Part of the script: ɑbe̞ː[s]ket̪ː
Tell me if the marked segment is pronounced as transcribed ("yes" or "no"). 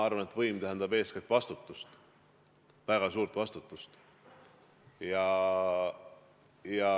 yes